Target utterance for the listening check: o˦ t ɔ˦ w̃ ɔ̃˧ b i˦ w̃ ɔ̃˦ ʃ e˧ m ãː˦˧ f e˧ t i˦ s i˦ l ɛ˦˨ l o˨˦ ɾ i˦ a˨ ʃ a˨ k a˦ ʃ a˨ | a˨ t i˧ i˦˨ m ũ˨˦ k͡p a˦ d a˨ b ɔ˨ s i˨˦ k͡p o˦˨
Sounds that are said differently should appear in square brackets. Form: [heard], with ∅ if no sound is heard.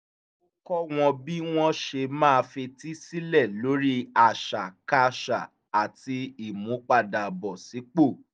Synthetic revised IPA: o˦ [k] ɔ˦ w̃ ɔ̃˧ b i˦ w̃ ɔ̃˦ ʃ e˧ m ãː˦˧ f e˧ t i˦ s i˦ l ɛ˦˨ l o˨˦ ɾ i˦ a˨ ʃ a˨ k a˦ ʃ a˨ | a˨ t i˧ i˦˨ m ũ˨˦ k͡p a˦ d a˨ b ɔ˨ s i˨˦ k͡p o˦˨

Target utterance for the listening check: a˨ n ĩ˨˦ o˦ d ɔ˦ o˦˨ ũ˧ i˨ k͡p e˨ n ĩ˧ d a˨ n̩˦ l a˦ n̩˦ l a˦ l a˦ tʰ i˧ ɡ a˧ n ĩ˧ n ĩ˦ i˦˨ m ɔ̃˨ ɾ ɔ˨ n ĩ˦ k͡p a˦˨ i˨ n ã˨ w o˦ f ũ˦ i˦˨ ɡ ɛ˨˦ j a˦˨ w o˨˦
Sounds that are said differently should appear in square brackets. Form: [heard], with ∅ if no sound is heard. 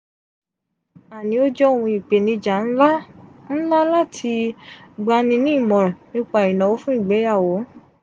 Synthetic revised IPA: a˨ n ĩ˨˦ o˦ [d͡ʒ] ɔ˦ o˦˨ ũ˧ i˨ k͡p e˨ n ĩ˧ [d͡ʒ] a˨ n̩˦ l a˦ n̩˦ l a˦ l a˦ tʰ i˧ [ɡ͡b] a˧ n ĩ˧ n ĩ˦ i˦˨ m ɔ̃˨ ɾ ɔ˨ n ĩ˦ k͡p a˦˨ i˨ n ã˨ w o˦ f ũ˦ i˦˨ [ɡ͡b] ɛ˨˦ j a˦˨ w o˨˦

